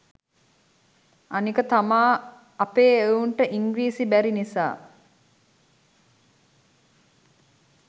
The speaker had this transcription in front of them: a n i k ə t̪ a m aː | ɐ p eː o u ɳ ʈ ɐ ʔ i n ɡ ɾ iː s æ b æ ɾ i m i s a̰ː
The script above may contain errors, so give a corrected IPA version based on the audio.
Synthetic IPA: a n i k ə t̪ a m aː | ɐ p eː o u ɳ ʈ ə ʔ i ŋ ɡ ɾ iː s i b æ ɾ i n i s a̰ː